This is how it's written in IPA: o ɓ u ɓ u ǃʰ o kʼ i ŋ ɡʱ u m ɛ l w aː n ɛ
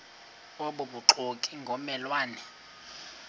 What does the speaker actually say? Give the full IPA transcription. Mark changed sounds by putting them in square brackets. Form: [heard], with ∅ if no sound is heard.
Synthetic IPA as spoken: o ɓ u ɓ u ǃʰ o kʼ i ŋ ɡʱ [ɔ] m ɛ l w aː n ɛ